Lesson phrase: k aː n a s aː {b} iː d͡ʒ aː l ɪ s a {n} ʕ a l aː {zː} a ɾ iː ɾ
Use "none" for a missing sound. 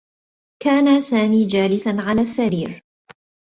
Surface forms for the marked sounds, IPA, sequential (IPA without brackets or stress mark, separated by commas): m, n, sː